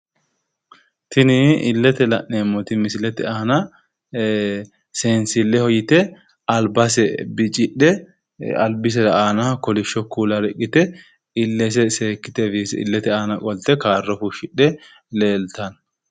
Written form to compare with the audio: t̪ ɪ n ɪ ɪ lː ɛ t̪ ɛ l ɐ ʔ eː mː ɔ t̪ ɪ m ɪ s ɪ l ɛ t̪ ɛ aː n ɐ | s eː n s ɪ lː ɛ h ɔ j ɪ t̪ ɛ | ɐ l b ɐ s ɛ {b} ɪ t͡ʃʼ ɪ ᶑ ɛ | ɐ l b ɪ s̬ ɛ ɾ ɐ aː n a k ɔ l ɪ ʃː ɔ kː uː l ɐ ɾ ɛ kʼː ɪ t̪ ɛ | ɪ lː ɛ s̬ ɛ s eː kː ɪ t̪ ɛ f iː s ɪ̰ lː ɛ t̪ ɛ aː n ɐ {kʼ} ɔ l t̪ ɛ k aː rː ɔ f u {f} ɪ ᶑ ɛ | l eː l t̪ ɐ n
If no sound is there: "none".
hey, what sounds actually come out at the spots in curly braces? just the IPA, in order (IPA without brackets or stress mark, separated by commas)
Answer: b, kʼ, ʃ